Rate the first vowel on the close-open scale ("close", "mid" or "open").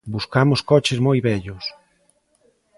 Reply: close